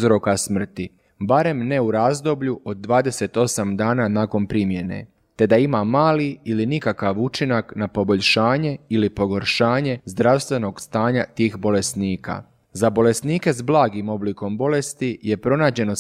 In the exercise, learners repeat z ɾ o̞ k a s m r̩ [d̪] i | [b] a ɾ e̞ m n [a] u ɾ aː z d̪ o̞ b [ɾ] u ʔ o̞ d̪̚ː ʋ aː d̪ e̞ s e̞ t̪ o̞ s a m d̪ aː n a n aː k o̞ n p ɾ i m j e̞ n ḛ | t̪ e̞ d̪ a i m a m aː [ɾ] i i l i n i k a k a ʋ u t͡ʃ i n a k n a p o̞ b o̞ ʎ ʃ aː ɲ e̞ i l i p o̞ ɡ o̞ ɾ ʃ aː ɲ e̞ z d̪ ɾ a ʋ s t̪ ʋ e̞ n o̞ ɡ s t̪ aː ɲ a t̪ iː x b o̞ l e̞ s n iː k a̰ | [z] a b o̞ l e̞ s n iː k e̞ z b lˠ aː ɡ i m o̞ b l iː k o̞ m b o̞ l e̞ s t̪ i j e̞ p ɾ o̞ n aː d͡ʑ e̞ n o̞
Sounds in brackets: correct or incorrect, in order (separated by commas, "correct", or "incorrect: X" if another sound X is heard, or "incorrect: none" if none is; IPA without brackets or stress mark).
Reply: incorrect: t̪, correct, incorrect: e, incorrect: ʎ, incorrect: l, correct